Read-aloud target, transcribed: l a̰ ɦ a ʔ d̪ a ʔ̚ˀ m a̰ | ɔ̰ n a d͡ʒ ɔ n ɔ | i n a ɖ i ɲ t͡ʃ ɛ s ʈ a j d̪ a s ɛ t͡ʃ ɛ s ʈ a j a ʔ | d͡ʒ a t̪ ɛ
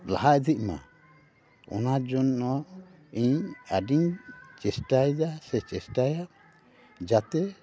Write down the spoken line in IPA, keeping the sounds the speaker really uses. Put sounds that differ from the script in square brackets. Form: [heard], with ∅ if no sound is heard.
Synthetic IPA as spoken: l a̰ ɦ a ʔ d̪ [i] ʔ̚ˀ m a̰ | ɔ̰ n a d͡ʒ ɔ n ɔ | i [ɲ] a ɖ i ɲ t͡ʃ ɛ s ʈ a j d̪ a s ɛ t͡ʃ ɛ s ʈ a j a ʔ | d͡ʒ a t̪ ɛ